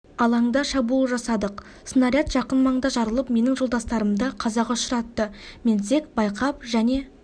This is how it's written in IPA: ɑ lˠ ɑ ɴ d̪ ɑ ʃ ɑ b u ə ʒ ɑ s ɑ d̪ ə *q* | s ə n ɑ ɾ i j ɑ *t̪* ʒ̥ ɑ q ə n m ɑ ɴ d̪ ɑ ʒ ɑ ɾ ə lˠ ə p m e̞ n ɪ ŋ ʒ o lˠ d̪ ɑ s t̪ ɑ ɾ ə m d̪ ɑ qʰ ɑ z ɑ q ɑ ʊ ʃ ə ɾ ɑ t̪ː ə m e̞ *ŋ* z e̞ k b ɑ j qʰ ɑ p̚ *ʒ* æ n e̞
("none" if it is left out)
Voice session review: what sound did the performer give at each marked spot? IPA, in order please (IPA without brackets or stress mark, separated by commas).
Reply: q, t̪, n, ʒ